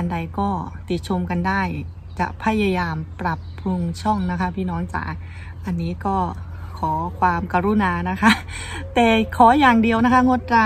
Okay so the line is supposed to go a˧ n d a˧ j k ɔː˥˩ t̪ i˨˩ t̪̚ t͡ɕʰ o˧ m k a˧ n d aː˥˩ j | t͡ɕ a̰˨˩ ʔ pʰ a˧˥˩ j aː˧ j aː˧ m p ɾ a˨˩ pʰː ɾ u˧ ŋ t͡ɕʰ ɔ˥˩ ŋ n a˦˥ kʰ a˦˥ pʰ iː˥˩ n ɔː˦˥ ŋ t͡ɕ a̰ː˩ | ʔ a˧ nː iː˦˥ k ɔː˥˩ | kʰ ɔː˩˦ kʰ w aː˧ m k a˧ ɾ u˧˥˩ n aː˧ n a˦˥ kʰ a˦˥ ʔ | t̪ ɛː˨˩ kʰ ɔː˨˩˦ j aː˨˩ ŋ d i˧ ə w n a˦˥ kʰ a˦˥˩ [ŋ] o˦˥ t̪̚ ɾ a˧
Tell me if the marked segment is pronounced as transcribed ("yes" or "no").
yes